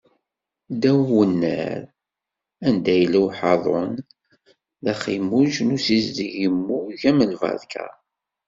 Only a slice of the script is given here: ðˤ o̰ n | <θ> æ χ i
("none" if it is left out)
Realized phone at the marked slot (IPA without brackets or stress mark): ð